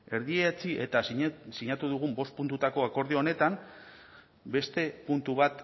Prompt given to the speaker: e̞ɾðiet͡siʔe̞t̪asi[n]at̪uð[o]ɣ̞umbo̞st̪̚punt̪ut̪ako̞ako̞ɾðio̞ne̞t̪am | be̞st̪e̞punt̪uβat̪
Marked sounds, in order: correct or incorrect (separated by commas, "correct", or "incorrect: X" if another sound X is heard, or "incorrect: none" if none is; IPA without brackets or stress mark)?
incorrect: ɲ, incorrect: u